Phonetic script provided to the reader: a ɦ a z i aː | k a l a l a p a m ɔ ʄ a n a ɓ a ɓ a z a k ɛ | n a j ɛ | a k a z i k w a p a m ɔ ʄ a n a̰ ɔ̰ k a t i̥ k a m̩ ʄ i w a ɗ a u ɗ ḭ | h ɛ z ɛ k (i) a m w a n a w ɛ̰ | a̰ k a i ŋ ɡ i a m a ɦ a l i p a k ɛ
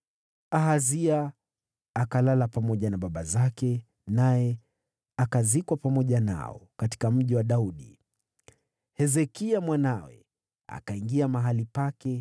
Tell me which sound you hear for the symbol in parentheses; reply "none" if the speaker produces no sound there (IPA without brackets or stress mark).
i